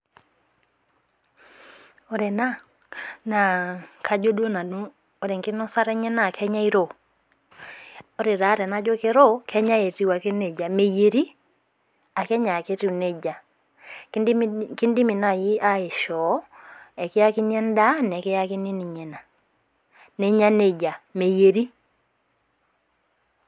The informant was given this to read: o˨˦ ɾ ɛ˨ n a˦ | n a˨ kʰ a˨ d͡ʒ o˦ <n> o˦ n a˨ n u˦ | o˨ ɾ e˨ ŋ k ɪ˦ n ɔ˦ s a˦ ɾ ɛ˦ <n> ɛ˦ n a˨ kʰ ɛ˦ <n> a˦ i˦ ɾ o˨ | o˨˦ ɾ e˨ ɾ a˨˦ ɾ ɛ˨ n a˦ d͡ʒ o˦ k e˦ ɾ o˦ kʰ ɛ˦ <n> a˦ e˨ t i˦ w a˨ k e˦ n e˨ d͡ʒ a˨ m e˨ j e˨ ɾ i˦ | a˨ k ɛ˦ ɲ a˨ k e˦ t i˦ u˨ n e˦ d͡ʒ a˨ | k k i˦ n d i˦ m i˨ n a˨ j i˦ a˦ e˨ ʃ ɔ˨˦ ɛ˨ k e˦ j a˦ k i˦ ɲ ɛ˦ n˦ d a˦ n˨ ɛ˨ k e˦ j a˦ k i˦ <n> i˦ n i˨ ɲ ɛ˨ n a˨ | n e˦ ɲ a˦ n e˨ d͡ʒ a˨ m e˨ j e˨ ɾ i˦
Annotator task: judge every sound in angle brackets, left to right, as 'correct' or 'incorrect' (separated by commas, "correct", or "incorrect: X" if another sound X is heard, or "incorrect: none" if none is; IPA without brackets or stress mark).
incorrect: d, incorrect: ɲ, incorrect: ɲ, incorrect: ɲ, correct